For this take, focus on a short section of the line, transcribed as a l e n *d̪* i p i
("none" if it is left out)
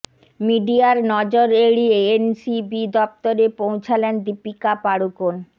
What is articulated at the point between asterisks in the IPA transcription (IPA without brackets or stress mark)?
d̪